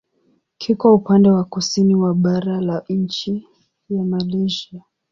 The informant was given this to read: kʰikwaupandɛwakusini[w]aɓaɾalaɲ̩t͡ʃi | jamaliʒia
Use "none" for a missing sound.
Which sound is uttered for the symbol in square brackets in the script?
w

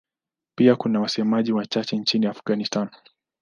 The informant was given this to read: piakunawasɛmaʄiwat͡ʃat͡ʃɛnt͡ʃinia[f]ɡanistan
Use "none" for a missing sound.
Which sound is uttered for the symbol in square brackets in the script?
f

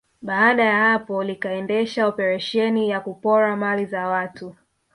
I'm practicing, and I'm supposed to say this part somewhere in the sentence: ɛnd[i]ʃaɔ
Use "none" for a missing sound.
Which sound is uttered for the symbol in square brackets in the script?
ɛ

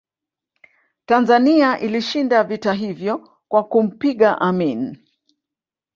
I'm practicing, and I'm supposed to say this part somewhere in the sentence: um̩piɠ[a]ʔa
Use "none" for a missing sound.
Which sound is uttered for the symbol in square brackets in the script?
a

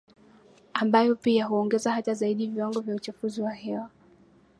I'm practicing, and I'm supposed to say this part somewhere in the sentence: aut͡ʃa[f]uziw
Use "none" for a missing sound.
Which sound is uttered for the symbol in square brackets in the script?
f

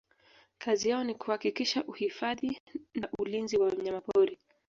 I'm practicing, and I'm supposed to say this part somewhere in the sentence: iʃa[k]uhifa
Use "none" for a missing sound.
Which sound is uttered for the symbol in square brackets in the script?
ʔ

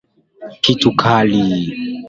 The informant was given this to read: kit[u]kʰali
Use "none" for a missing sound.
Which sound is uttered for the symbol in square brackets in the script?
u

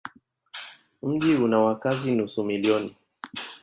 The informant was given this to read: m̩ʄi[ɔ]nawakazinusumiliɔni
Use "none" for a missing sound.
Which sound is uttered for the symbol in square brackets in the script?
u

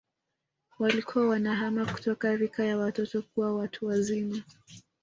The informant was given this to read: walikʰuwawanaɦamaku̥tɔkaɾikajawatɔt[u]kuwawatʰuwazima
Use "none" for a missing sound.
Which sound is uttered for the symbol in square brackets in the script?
ɔ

